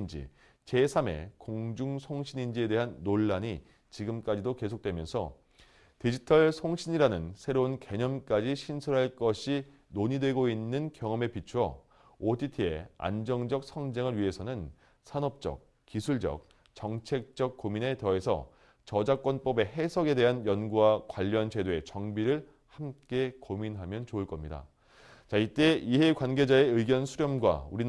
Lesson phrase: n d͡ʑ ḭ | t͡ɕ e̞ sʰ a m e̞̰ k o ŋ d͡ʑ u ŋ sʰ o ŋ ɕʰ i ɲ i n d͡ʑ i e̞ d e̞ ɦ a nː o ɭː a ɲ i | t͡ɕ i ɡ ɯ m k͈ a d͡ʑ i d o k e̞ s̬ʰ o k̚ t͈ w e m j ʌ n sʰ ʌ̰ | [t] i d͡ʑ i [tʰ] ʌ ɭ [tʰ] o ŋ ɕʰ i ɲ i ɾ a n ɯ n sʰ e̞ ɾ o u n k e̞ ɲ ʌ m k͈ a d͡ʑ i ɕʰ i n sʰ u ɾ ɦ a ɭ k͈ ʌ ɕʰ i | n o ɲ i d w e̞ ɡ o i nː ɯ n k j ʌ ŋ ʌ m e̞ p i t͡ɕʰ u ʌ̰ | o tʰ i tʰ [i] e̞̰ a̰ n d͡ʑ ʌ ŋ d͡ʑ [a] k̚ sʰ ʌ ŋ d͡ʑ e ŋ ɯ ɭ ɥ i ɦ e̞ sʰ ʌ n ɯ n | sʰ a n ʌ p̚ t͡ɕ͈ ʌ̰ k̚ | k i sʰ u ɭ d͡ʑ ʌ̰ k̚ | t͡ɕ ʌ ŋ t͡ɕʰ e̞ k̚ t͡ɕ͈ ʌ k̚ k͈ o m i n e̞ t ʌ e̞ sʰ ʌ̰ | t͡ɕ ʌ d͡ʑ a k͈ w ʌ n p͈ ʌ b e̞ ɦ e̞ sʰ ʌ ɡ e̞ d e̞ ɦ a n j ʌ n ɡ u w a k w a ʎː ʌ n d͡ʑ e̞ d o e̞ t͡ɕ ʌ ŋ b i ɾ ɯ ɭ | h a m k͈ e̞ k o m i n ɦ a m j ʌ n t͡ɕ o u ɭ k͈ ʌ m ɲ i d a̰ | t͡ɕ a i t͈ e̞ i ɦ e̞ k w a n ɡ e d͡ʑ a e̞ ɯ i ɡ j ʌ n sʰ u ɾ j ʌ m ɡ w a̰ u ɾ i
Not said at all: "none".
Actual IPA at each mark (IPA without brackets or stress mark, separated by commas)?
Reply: t, tʰ, sʰ, i, ʌ